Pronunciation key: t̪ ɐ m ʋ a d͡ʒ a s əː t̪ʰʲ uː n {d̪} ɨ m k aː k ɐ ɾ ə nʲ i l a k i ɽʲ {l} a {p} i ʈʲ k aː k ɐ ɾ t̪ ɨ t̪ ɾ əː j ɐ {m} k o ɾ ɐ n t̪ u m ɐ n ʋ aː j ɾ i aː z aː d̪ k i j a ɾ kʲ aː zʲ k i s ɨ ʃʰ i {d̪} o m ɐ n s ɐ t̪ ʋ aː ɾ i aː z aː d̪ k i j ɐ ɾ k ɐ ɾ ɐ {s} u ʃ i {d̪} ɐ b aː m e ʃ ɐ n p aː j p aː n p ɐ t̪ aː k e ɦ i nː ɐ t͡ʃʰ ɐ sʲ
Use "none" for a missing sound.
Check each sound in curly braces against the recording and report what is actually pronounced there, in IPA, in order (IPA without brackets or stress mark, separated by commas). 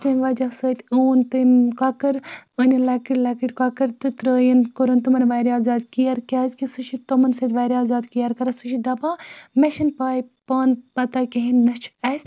t̪, l, k, n, t̪, s, d̪